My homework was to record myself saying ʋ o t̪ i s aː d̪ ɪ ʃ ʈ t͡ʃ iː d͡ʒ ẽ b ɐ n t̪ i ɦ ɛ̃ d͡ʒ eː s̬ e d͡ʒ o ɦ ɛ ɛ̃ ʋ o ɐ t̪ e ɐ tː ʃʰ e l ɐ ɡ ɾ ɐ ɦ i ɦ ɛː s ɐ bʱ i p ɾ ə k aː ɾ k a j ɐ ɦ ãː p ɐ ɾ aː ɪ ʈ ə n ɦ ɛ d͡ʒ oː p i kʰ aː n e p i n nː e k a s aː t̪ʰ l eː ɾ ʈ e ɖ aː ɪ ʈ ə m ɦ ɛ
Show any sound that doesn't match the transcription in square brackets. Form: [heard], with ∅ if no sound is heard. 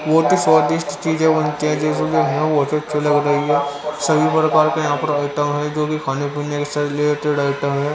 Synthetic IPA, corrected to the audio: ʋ o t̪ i s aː d̪ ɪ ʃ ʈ t͡ʃ iː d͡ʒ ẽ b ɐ n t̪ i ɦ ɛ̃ d͡ʒ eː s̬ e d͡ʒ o ɦ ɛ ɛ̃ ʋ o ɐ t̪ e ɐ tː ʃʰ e l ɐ ɡ ɾ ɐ ɦ i ɦ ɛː s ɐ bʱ i p ɾ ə k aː ɾ k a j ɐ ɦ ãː p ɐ ɾ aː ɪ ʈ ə [m] ɦ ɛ d͡ʒ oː [k] i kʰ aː n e p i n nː e k [e] s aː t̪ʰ l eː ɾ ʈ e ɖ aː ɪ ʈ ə m ɦ ɛ